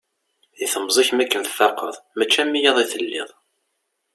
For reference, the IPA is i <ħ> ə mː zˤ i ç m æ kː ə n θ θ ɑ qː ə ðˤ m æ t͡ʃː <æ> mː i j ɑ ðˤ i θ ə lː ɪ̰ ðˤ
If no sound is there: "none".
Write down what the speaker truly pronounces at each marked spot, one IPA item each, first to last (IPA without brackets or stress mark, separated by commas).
θ, æ